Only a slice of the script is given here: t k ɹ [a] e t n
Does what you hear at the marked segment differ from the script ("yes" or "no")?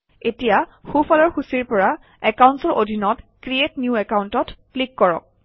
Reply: yes